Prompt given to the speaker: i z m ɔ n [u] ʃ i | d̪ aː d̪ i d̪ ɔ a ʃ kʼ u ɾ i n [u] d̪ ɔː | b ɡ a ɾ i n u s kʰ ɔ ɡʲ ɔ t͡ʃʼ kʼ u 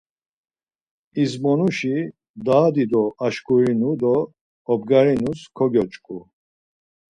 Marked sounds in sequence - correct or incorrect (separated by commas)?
correct, correct